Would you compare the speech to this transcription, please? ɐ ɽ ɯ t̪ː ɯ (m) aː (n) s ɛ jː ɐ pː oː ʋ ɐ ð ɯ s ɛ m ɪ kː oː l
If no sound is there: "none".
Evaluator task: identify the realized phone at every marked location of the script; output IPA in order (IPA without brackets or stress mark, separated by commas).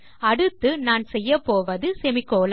n, n